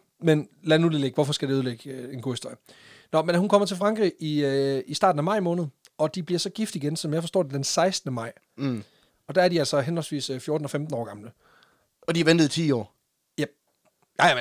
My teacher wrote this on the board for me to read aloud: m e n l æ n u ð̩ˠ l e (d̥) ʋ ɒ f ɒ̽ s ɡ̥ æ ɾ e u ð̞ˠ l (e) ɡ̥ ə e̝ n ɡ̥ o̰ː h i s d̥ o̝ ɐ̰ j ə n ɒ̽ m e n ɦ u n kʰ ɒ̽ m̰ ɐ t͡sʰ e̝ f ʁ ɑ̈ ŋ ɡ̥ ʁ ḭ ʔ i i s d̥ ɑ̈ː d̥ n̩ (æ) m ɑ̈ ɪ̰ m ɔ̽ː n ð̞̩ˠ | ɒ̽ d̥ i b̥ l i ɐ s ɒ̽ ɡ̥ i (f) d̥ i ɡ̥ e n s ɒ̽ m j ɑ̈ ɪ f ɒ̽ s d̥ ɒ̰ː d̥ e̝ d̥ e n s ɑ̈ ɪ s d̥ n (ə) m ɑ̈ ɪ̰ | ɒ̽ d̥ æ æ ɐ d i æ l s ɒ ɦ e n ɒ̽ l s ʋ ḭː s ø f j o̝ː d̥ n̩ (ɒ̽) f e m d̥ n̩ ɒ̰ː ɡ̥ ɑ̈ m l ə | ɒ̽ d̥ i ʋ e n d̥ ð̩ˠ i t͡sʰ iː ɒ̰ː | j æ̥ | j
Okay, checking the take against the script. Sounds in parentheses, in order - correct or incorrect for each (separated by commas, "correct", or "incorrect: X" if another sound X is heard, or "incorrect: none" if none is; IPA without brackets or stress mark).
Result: incorrect: ɡ̥, correct, correct, correct, correct, correct